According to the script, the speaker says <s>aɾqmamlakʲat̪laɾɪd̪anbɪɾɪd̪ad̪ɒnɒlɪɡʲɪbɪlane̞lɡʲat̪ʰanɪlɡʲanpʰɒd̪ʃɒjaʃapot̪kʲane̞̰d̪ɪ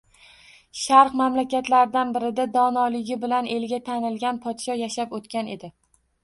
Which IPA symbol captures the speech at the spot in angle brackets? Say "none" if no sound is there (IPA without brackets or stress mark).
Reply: ʃ